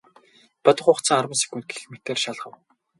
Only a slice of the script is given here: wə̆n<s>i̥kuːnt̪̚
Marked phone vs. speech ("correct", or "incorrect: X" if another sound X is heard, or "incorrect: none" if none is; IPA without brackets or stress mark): correct